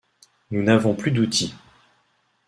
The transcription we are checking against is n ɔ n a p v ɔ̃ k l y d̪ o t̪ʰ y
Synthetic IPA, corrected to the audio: n u n a v ɔ̃ p l y d̪ u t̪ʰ i